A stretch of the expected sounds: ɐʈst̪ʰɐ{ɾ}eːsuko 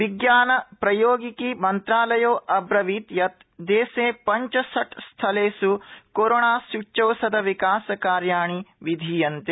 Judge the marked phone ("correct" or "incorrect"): incorrect